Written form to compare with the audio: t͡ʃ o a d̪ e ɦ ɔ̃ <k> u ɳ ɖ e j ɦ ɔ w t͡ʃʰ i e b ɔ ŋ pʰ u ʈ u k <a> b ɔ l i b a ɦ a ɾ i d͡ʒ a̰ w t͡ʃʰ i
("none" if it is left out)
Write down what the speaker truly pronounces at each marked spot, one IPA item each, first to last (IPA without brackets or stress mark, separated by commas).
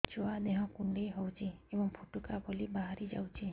k, a